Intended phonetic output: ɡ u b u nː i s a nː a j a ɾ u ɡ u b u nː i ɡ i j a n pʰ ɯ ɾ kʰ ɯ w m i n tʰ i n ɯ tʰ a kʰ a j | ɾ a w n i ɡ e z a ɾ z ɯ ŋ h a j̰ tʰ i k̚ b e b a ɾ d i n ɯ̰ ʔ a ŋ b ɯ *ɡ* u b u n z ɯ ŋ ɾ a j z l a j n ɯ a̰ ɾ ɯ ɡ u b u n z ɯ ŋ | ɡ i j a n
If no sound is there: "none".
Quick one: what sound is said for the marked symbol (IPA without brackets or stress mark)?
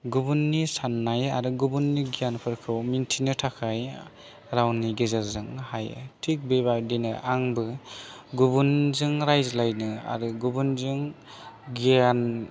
ɡ